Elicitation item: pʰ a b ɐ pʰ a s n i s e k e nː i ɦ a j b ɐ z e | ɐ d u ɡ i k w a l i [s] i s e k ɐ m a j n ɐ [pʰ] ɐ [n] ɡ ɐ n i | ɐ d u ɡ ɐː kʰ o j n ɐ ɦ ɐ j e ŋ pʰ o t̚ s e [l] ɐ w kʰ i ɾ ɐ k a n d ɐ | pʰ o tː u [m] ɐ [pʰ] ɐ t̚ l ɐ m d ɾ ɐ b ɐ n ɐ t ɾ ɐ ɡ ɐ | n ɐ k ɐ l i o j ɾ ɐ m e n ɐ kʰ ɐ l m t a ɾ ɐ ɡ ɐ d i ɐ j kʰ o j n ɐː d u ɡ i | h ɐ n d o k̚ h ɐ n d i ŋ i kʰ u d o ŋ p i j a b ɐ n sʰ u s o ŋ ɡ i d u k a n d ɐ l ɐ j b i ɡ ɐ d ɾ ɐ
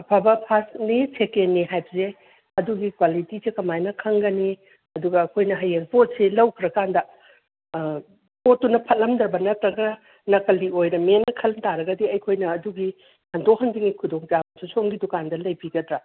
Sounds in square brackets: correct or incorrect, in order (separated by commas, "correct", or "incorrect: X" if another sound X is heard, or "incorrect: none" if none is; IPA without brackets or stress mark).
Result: incorrect: t, incorrect: kʰ, incorrect: ŋ, correct, incorrect: n, correct